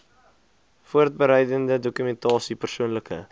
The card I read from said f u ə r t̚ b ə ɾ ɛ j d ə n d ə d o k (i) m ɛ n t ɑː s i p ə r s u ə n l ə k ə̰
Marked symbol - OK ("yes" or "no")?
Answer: no